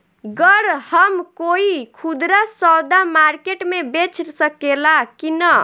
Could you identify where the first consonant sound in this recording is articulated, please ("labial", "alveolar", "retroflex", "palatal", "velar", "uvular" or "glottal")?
velar